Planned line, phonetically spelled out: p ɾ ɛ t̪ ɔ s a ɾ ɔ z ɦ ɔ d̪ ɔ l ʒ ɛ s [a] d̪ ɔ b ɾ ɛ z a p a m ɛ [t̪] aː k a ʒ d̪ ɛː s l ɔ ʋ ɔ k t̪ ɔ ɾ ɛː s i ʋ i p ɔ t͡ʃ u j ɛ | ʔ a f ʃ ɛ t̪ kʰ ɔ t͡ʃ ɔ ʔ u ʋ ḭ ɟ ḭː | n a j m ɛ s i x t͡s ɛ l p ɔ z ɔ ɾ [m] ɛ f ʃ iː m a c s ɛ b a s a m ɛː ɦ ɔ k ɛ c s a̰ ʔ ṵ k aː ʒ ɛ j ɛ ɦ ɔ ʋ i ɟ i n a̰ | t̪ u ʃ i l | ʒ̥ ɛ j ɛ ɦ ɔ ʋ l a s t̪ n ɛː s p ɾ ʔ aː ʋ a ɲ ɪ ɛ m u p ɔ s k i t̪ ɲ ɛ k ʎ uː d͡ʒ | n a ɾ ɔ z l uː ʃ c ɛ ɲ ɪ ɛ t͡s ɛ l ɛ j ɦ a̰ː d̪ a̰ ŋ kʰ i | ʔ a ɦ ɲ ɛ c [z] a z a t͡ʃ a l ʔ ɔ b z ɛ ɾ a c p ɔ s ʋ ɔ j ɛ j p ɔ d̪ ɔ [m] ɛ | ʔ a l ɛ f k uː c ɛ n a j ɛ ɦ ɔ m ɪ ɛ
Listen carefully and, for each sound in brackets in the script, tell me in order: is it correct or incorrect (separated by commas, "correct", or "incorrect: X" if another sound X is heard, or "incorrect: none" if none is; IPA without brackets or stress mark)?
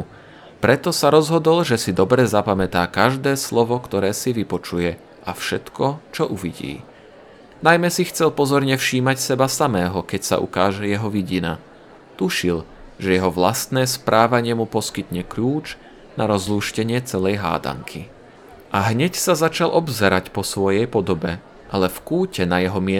incorrect: i, correct, incorrect: ɲ, incorrect: s, incorrect: b